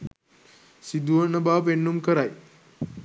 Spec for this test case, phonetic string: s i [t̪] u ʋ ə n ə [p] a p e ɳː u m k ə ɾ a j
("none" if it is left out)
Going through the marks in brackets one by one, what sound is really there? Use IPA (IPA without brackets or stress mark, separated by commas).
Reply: d̪, b